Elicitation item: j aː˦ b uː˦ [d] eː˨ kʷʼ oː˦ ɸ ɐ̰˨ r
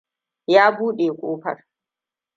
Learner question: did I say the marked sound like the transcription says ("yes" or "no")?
no